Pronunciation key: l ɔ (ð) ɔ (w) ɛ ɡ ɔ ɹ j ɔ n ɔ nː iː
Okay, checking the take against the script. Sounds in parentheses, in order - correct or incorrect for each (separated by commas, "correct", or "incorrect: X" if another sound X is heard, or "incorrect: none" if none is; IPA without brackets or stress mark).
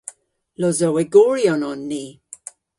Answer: incorrect: z, correct